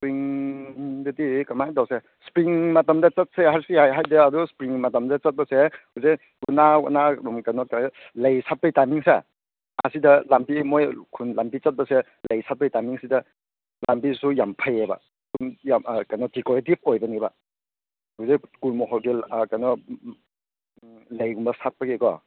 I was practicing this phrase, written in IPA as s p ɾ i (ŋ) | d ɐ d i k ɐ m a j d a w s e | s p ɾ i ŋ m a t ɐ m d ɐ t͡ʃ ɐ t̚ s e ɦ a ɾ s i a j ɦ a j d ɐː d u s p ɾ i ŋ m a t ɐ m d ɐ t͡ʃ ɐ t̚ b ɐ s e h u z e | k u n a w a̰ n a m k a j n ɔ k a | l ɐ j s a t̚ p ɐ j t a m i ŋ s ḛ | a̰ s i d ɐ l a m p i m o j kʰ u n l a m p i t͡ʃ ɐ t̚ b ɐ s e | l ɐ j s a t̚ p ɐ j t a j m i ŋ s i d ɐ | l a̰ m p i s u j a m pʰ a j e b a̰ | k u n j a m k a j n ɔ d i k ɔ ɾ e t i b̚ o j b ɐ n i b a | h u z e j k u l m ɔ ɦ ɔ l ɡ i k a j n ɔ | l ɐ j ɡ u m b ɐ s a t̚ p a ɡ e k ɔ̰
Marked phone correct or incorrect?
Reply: correct